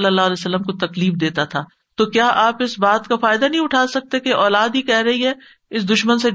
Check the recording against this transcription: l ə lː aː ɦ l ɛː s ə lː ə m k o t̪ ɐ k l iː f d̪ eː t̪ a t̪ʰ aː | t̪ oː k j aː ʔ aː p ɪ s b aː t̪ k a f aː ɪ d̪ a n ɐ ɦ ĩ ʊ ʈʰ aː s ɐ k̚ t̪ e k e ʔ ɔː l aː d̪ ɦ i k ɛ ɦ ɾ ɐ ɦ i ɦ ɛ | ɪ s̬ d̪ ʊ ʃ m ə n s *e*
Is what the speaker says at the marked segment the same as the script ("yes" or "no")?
yes